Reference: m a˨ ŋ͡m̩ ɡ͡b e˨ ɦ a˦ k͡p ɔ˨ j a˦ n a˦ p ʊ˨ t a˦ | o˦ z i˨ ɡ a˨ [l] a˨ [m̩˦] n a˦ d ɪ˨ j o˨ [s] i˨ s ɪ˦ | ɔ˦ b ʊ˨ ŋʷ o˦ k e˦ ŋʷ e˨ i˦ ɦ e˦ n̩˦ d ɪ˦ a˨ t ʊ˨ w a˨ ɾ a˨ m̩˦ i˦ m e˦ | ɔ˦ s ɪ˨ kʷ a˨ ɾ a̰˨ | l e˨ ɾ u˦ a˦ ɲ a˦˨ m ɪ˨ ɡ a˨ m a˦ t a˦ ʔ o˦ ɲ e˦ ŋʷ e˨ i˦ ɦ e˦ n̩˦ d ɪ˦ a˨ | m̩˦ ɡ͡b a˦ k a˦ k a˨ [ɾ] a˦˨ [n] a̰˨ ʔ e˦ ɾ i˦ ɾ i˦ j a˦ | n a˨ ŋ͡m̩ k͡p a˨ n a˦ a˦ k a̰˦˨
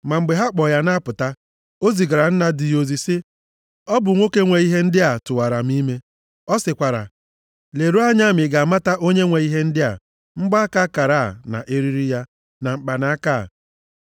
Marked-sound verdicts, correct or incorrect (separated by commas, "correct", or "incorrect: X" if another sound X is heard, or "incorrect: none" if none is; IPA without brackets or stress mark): incorrect: ɾ, incorrect: n̩˦, incorrect: z, correct, correct